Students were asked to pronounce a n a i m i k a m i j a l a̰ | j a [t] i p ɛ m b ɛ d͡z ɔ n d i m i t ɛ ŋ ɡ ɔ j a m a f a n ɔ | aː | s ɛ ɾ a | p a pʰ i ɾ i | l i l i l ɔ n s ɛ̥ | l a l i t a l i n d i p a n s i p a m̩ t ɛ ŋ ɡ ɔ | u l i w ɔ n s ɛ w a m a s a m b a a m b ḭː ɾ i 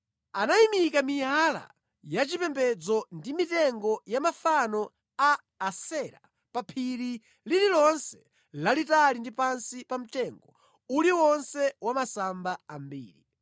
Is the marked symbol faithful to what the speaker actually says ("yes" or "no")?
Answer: no